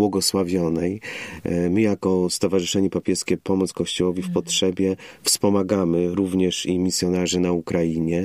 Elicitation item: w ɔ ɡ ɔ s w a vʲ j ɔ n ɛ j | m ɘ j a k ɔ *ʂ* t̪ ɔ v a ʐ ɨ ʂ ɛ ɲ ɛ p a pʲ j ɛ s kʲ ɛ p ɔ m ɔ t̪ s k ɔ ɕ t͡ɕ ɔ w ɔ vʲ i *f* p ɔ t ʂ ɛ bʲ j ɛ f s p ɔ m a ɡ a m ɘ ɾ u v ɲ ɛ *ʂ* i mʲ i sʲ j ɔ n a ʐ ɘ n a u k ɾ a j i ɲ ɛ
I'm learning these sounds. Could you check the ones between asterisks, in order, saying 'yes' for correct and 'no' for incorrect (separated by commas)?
no, yes, yes